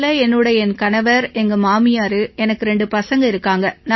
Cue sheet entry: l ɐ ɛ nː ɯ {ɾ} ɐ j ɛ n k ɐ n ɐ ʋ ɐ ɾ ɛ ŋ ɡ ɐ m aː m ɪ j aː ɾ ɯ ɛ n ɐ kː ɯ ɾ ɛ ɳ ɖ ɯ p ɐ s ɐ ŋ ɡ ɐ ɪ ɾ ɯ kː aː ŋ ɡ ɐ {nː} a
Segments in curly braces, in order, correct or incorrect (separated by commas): incorrect, incorrect